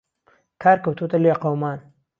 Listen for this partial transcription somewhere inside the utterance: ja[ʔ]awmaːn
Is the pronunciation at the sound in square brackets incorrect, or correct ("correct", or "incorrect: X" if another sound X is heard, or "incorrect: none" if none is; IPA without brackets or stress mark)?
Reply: incorrect: q